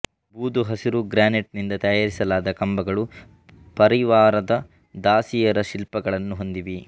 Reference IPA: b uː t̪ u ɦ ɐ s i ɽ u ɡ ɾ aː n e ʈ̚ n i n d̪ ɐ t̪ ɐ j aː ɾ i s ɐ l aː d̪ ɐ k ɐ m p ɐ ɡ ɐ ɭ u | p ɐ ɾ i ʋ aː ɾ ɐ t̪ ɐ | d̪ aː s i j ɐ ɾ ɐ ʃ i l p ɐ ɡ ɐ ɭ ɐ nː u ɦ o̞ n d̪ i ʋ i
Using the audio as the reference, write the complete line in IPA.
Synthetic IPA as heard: b uː d̪ u ɦ ɐ s i ɾ u ɡ ɾ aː n e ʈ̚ n i n d̪ ɐ t̪ ɐ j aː ɾ i s ɐ l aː d̪ ɐ k ɐ m b ɐ ɡ ɐ ɭ u | p ɐ ɾ i ʋ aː ɾ ɐ d̪ ɐ | d̪ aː s i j ɐ ɾ ɐ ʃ i l p ɐ ɡ ɐ ɭ ɐ nː u ɦ o̞ n d̪ i ʋ i